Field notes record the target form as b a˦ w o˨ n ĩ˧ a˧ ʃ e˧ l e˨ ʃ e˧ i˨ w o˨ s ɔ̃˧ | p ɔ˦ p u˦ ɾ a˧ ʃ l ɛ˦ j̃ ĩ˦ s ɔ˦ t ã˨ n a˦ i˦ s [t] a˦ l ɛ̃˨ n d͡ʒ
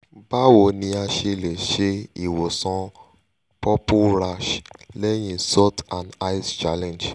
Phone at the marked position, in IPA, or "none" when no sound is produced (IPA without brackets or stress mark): t͡ʃ